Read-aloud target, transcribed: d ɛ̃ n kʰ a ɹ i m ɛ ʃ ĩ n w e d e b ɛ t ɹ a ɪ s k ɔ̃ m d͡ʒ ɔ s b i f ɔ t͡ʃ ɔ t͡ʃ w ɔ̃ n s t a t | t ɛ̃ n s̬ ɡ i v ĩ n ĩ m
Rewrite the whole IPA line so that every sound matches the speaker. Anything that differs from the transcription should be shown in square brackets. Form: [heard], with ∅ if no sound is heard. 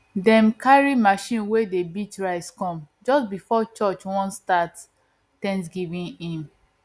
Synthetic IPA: d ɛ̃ [m] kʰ a ɹ i m [a] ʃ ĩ n w e d e b [i] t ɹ a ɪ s k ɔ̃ m d͡ʒ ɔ s b i f ɔ t͡ʃ ɔ t͡ʃ w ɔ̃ n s t a t | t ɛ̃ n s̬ ɡ i v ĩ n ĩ m